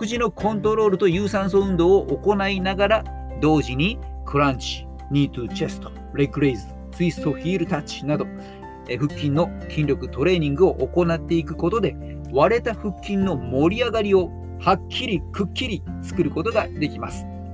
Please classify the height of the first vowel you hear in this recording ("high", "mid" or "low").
high